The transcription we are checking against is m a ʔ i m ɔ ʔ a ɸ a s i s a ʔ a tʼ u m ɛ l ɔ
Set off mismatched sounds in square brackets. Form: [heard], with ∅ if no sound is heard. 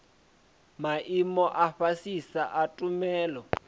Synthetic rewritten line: m a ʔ i m ɔ ʔ a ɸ a s i s a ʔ a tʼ u m [ɛː] l ɔ